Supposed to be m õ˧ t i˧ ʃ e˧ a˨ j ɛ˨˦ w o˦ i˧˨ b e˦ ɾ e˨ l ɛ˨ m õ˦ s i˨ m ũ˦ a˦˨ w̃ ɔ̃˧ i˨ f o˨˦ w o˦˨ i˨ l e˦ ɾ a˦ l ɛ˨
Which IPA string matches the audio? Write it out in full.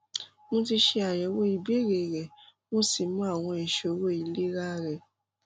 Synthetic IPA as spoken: m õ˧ t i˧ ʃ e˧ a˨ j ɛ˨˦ w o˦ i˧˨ b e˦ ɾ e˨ ɾ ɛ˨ m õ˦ s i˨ m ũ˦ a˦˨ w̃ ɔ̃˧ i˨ ʃ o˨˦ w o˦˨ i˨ l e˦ ɾ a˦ ɾ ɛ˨